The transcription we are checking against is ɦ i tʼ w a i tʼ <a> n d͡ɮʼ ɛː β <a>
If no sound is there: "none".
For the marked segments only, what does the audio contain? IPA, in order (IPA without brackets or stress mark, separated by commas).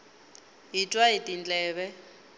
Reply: i, ɛ